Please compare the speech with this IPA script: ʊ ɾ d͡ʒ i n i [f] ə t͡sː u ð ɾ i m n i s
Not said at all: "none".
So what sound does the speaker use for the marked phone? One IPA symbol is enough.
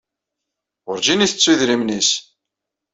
θ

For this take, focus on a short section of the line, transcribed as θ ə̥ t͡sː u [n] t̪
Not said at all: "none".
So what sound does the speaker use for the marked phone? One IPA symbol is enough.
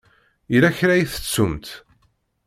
m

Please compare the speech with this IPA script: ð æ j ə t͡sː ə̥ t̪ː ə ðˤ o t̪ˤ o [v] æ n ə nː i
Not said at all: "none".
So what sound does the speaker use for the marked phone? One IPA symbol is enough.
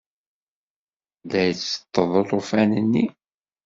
f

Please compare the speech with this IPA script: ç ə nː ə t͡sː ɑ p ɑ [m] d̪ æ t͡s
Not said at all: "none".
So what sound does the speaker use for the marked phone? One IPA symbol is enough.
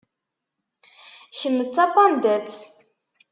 n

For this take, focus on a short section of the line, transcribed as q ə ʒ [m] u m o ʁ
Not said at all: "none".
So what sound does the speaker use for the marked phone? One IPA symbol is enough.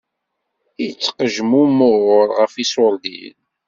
m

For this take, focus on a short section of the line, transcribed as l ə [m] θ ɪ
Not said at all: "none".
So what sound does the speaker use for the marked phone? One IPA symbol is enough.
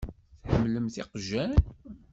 m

